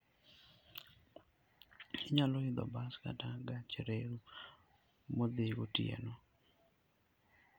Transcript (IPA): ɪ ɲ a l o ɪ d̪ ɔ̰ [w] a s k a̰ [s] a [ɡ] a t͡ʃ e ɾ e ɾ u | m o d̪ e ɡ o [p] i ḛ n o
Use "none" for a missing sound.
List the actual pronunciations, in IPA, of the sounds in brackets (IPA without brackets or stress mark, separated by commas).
b, t, ɡ, t